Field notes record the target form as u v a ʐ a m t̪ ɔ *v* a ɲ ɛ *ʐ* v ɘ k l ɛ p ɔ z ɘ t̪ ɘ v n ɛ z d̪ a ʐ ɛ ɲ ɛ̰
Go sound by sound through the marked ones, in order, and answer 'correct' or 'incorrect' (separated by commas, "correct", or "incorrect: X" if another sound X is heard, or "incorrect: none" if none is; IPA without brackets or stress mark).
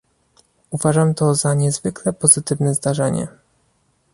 incorrect: z, incorrect: z